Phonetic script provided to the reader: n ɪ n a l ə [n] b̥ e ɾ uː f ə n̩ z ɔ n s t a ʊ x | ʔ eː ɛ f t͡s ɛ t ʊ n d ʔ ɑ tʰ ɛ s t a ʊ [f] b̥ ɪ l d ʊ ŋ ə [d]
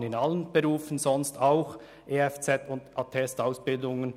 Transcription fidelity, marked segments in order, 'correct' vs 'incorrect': correct, incorrect: s, incorrect: n

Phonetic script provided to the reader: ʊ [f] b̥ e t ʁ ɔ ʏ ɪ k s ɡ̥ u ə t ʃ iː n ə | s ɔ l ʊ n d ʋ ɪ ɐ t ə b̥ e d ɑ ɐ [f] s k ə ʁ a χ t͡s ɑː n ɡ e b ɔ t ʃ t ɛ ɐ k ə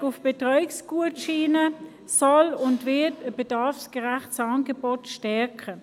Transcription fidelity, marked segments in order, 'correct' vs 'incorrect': correct, correct

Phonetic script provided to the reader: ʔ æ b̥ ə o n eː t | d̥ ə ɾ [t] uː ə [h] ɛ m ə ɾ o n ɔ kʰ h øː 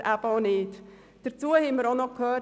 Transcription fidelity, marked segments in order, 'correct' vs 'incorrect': incorrect: t͡s, correct

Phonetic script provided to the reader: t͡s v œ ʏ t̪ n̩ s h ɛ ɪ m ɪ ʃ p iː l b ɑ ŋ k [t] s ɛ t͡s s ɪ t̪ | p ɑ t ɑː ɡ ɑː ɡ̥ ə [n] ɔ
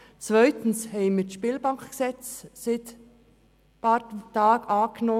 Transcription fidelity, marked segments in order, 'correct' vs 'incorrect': incorrect: k, correct

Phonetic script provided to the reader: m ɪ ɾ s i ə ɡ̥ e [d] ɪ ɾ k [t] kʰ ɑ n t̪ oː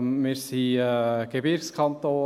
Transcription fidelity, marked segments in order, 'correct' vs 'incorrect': incorrect: b, incorrect: s

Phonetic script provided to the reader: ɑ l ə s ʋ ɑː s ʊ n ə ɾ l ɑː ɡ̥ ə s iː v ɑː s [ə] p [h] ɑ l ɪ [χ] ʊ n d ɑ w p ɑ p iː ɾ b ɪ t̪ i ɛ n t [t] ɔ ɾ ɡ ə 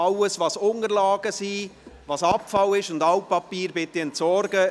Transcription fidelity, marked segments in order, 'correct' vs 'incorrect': incorrect: ɑ, incorrect: f, incorrect: ʃ, incorrect: s

